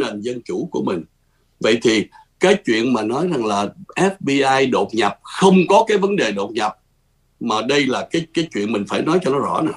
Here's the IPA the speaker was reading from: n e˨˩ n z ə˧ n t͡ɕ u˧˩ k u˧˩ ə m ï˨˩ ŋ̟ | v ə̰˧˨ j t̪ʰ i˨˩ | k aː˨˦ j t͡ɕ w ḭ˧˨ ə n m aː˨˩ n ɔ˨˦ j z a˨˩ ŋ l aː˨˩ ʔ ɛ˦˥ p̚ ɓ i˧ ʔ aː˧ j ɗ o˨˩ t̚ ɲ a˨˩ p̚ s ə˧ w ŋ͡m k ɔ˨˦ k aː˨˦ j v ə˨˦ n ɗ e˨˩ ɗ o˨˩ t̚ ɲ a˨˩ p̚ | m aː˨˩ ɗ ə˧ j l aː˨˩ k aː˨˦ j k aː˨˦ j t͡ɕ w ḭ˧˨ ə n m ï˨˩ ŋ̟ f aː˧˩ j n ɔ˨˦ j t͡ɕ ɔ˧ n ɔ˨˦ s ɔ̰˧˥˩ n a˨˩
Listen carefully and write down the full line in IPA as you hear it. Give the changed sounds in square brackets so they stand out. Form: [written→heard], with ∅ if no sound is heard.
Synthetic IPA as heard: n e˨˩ n z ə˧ n t͡ɕ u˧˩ k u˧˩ ə m ï˨˩ ŋ̟ | v ə̰˧˨ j t̪ʰ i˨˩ | k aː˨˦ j t͡ɕ w ḭ˧˨ ə n m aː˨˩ n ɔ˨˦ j z a˨˩ ŋ l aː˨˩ ʔ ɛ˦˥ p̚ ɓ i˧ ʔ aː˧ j ɗ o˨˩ t̚ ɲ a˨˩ p̚ [s→x] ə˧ w ŋ͡m k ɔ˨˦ k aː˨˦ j v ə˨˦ n ɗ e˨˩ ɗ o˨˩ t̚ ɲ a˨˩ p̚ | m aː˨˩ ɗ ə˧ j l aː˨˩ k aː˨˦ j k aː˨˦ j t͡ɕ w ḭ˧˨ ə n m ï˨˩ ŋ̟ f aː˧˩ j n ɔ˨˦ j t͡ɕ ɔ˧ n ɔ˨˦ [s→z] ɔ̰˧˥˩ n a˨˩